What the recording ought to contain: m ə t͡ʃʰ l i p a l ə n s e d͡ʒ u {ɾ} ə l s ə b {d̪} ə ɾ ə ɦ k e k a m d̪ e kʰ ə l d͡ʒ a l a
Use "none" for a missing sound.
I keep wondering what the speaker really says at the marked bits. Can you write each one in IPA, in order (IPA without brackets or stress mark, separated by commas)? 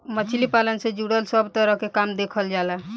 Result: ɽ, t̪